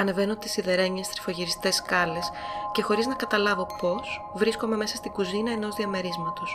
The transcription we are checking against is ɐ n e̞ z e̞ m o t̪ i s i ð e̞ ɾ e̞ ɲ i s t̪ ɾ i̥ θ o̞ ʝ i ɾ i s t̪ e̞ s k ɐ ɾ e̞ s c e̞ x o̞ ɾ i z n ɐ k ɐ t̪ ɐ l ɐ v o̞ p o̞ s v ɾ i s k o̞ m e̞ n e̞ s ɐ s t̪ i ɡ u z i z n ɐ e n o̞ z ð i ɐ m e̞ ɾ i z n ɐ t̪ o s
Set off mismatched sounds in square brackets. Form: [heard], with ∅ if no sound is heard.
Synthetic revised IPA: ɐ n e̞ [v] e̞ [n] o t̪ i s i ð e̞ ɾ e̞ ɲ [e] s t̪ ɾ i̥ [f] o̞ ʝ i ɾ i s t̪ e̞ s k ɐ [l] e̞ s c e̞ x o̞ ɾ i z n ɐ k ɐ t̪ ɐ l ɐ v o̞ p o̞ s v ɾ i s k o̞ m e̞ [m] e̞ s ɐ s t̪ i ɡ u z i [∅] n ɐ e n o̞ z ð i ɐ m e̞ ɾ i z [m] ɐ t̪ o s